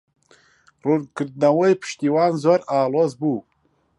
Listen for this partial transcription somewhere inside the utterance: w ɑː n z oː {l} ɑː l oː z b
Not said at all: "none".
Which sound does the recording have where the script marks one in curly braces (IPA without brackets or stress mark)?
ɾ